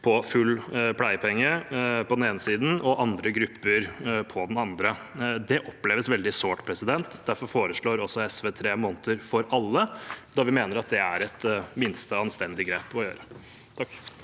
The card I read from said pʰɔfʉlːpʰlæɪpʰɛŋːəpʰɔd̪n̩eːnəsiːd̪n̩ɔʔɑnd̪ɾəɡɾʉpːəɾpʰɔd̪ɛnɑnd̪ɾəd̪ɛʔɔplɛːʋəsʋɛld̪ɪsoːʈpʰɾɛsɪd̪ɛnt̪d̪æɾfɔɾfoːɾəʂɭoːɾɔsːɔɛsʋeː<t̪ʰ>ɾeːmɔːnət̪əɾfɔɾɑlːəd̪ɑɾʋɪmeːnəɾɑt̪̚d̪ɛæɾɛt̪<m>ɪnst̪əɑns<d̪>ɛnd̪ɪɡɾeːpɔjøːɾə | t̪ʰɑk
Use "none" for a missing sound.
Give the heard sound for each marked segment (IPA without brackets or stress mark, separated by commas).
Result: t̪ʰ, m, t̪